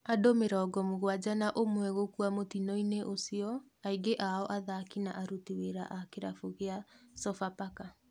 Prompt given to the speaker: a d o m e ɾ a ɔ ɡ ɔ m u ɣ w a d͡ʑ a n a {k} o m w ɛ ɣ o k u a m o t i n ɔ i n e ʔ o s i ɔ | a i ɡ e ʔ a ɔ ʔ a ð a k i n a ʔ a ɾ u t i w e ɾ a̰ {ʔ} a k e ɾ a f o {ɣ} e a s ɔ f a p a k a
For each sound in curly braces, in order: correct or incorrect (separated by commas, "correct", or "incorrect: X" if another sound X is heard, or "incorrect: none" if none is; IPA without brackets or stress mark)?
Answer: incorrect: ʔ, correct, correct